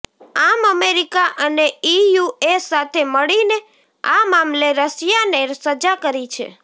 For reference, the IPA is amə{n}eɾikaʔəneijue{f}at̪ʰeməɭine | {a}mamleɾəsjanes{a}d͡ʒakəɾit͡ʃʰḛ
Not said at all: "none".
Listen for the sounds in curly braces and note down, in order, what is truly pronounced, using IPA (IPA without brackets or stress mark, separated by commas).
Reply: m, s, a, ə